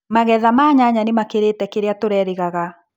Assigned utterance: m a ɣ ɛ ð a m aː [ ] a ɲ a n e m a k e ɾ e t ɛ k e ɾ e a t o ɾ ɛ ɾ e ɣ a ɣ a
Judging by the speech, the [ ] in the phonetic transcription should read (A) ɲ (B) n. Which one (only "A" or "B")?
A